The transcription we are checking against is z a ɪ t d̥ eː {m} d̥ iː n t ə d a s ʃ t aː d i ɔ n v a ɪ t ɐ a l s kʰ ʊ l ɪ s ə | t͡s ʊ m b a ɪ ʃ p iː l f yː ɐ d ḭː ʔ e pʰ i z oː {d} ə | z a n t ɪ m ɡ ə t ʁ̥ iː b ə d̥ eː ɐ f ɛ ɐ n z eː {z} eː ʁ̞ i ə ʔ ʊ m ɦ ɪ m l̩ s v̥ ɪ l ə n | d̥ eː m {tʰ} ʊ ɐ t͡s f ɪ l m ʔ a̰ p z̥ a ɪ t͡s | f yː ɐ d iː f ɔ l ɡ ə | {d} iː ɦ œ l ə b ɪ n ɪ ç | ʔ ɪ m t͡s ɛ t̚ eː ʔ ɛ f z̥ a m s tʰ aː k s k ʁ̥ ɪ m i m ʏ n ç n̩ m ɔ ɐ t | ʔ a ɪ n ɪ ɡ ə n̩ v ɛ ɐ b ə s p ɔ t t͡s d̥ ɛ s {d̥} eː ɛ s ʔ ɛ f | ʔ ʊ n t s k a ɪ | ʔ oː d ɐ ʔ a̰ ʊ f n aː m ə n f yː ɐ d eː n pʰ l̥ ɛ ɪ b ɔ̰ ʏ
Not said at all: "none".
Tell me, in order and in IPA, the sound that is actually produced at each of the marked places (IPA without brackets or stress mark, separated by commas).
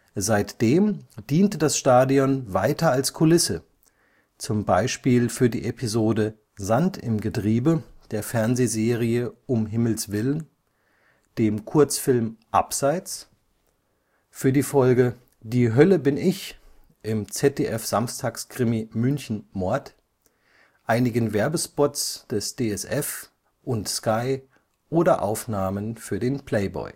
m, d, z, kʰ, d, d̥